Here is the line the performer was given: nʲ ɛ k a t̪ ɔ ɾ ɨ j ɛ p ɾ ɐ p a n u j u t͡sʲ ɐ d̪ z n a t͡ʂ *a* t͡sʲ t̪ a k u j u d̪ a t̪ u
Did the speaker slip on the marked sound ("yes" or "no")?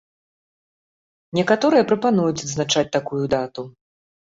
no